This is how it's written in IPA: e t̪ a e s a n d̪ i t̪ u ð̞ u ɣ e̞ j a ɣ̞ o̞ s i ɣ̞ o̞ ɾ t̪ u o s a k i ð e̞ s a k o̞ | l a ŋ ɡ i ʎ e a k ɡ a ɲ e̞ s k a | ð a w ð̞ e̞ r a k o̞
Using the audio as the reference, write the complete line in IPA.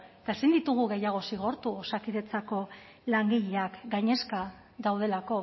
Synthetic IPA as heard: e t̪ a e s i n d̪ i t̪ u ɣ̞ u ɣ e̞ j a ɣ̞ o̞ s i ɣ̞ o̞ ɾ t̪ u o s a k i ð e̞ t͡s a k o̞ | l a ŋ ɡ i ʎ e a k ɡ a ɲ e̞ s k a | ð a w ð̞ e̞ l a k o̞

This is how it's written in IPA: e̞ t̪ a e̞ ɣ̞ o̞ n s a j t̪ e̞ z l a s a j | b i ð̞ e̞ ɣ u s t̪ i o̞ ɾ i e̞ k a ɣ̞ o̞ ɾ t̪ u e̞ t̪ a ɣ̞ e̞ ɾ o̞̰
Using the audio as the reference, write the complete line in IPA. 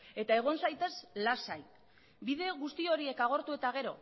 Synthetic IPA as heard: e̞ t̪ a e̞ ɣ̞ o̞ n s a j t̪ e̞ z l a s a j | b i ð̞ e̞ ɣ u s t̪ i o̞ ɾ i e̞ k a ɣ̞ o̞ ɾ t̪ u e̞ t̪ a ɣ̞ e̞ ɾ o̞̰

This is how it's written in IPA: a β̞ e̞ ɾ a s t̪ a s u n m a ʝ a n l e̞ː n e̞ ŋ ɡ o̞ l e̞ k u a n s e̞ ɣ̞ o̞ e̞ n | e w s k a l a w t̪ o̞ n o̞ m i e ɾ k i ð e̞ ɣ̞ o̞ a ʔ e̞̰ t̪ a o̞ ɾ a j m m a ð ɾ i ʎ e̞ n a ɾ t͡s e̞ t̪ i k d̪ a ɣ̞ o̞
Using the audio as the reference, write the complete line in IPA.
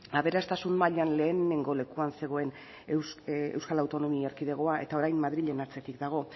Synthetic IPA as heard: a β̞ e̞ ɾ a s t̪ a s u n m a ʎ a n l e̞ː n e̞ ŋ ɡ o̞ l e̞ k u a n s e̞ ɣ̞ o̞ e̞ n | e w s k a l a w t̪ o̞ n o̞ m i e ɾ k i ð e̞ ɣ̞ o̞ a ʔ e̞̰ t̪ a o̞ ɾ a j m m a ð ɾ i ʎ e̞ n a ɾ t͡s e̞ t̪ i k d̪ a ɣ̞ o̞

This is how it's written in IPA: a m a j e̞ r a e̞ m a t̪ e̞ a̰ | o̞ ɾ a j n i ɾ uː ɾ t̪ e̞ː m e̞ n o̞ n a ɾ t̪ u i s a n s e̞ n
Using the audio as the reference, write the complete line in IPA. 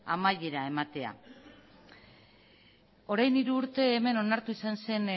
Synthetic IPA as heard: a m a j e̞ ɾ a e̞ m a t̪ e̞ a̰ | o̞ ɾ a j n i ɾ uː ɾ t̪ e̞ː m e̞ n o̞ n a ɾ t̪ u i s a n s e̞ n

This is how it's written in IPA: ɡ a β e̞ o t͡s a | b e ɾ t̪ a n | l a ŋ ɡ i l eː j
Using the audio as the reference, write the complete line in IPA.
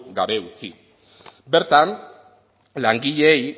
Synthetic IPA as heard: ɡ a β e̞ u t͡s i | b e ɾ t̪ a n | l a ŋ ɡ i ʎ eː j

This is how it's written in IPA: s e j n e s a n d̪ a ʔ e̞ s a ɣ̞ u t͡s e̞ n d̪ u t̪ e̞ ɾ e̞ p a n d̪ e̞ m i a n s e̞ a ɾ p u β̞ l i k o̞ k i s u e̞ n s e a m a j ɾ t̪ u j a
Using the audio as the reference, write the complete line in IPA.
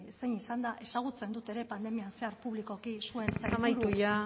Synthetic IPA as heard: s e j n i s a n d̪ a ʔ e̞ s a ɣ̞ u t͡s e̞ n d̪ u t̪ e̞ ɾ e̞ p a n d̪ e̞ m i a n s e̞ a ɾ p u β̞ l i k o̞ k i s u e̞ n s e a m a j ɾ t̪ u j a

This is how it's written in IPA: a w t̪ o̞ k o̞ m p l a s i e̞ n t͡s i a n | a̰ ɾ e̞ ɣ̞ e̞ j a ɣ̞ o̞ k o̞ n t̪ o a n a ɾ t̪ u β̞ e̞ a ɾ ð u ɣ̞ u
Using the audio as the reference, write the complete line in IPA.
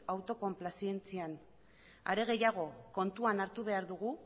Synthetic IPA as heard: a w t̪ o̞ k o̞ m p l a s i e̞ n t͡s i a n | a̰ ɾ e̞ ɣ̞ e̞ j a ɣ̞ o̞ k o̞ n t̪ u a n a ɾ t̪ u β̞ e̞ a ɾ ð u ɣ̞ u

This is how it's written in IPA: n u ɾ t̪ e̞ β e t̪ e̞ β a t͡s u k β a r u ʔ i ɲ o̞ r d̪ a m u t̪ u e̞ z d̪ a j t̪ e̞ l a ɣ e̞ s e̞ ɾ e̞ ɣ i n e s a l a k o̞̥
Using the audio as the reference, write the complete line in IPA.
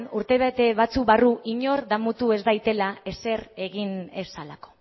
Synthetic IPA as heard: n u ɾ t̪ e̞ β e t̪ e̞ β a t͡s u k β a r u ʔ i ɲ o̞ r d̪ a m u t̪ u e̞ z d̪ a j t̪ e̞ l a e̞ s e̞ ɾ e̞ ɣ i n e s a l a k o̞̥

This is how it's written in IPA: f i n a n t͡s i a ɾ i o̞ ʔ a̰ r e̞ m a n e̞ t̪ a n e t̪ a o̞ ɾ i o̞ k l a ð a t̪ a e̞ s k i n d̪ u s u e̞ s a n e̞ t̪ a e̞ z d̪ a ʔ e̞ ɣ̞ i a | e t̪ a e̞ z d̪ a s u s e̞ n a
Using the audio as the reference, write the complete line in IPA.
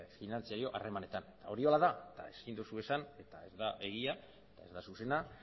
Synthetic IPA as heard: f i n a n t͡s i a ɾ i o̞ ʔ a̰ r e̞ m a n e̞ t̪ a n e t̪ a o̞ ɾ i o̞ l a ð a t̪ a e̞ s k i n d̪ u s u e̞ s a n e̞ t̪ a e̞ z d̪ a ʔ e̞ ɣ̞ i a | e t̪ a e̞ z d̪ a s u s e̞ n a

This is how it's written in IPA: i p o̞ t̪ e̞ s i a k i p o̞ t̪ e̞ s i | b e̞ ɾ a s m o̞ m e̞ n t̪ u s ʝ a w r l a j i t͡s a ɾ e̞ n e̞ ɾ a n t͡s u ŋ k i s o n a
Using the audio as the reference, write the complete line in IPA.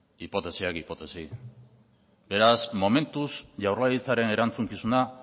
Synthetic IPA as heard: i p o̞ t̪ e̞ s i a k i p o̞ t̪ e̞ s i | b e̞ ɾ a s m o̞ m e̞ n t̪ u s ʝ a w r l a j i t͡s a ɾ e̞ n e̞ ɾ a n t͡s u ŋ k i s u n a

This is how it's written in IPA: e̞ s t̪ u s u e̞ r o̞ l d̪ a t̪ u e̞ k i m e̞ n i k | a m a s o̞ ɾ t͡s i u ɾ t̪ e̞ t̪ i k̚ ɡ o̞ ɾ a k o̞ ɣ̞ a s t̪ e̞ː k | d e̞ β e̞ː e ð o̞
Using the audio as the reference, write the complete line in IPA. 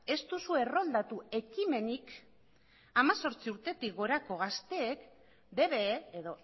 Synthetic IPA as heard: e̞ s t̪ u s u e̞ r o̞ l d̪ a t̪ u e̞ k i m e̞ n i k | a m a s o̞ ɾ t͡s i u ɾ t̪ e̞ t̪ i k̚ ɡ o̞ ɾ a k o̞ ɣ̞ a s t̪ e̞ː k | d e̞ β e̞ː e ð o̞

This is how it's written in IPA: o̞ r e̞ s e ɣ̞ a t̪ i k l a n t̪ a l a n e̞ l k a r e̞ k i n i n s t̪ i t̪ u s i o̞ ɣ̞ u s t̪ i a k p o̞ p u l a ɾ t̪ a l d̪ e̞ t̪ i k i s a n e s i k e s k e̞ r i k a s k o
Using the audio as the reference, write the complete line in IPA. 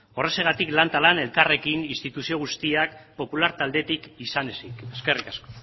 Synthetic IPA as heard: o̞ r e̞ s e ɣ̞ a t̪ i k l a n t̪ a l a n e̞ l k a r e̞ k i n i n s t̪ i t̪ u s i o̞ ɣ̞ u s t̪ i a k p o̞ p u l a ɾ t̪ a l d̪ e̞ t̪ i k i s a n e s i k e s k e̞ r i k a s k o

